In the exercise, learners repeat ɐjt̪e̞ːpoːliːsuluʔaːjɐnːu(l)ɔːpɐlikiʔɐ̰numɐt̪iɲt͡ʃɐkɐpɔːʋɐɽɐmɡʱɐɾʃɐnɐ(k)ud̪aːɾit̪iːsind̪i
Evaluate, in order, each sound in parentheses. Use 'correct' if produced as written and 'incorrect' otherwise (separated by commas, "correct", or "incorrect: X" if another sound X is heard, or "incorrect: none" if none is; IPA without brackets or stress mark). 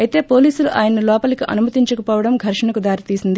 correct, correct